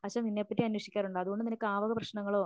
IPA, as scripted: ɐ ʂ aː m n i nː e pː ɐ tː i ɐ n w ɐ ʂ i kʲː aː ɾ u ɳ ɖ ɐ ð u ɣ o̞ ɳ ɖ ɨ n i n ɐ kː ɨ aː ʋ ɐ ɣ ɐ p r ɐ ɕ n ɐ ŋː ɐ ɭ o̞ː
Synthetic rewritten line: ɐ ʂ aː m n i nː e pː ɐ tː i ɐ n w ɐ ʂ i kʲː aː ɾ u ɳ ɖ ɐ ð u ɣ o̞ ɳ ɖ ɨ n i n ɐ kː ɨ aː ʋ ɐ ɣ ɐ p r ɐ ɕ n ɐ ŋː ɐ ɭ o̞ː